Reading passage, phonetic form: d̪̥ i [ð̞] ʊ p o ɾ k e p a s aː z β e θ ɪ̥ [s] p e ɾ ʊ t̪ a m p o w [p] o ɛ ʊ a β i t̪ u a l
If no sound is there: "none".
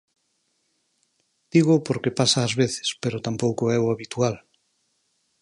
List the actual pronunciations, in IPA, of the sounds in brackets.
ɣ̞, s, k

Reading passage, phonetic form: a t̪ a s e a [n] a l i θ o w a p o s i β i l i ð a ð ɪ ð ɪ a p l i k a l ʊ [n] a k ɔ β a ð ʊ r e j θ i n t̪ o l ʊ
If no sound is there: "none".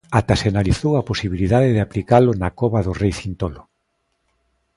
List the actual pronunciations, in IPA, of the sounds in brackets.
n, n

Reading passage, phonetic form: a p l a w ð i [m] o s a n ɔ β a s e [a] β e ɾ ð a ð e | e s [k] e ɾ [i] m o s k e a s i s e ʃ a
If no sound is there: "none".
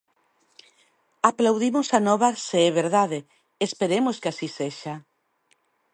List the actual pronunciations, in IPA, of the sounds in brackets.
m, ɛ, p, e

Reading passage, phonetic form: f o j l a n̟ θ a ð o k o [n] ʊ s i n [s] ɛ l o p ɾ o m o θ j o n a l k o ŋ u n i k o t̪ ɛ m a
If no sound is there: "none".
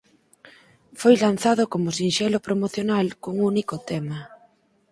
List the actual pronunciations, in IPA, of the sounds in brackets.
m, ʃ

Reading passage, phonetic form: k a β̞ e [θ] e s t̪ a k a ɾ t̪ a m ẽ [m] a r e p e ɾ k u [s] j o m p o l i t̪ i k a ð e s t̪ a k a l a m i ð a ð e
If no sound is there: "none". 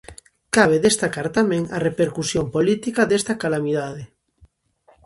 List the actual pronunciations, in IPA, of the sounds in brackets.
ð, ŋ, s

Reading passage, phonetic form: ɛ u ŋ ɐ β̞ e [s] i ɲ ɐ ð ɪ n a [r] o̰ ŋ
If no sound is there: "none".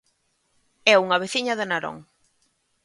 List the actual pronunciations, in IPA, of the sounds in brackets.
θ, ɾ

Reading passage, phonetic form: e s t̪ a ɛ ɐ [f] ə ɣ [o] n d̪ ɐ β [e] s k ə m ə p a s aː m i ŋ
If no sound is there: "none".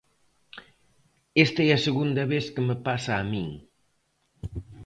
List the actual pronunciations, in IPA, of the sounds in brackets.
s, u, e

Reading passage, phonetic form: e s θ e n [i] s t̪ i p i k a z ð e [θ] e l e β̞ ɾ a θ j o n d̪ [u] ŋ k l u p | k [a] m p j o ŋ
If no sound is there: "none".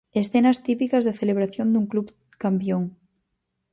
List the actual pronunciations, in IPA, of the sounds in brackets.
a, θ, u, a

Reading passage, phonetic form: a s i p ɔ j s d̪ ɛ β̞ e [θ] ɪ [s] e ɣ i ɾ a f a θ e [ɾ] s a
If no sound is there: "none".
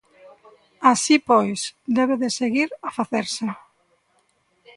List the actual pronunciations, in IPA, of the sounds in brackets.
ð, s, ɾ

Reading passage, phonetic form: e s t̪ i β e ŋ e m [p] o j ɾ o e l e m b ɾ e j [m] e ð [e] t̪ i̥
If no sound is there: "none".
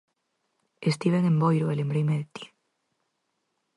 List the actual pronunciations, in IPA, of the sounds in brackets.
b, m, e

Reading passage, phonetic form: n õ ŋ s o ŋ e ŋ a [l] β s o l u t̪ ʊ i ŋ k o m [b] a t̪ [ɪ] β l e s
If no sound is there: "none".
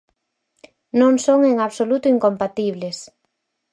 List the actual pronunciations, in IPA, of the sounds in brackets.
none, p, i

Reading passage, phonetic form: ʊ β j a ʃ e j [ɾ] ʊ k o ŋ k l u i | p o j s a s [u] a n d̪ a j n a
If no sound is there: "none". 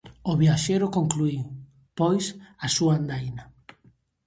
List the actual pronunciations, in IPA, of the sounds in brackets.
ɾ, u

